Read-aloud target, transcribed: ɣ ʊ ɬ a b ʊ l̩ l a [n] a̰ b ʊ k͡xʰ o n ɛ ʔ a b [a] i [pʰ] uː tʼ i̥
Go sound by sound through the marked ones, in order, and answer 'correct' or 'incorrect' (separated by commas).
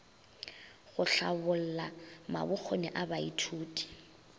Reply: incorrect, correct, incorrect